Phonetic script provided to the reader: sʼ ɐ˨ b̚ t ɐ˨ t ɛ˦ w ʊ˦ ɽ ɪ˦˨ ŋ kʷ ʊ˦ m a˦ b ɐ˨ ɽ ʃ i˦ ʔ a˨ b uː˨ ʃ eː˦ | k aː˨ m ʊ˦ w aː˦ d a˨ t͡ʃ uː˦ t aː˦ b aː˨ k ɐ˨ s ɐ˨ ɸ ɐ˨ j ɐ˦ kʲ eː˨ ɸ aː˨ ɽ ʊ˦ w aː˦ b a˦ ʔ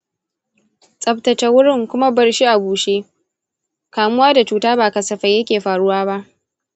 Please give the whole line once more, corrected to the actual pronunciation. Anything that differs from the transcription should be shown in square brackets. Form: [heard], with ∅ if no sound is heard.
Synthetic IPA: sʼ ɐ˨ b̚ t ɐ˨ [t͡ʃ] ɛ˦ w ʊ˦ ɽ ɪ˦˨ ŋ kʷ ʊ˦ m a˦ b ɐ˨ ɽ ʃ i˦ ʔ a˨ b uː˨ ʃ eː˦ | k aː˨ m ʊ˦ w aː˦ d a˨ t͡ʃ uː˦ t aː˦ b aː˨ k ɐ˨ s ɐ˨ ɸ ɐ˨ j ɐ˦ kʲ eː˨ ɸ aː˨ ɽ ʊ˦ w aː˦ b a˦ ʔ